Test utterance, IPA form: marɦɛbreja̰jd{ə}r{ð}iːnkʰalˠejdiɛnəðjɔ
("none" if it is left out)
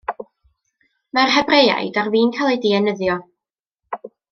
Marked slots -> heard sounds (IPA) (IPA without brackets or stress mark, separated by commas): a, v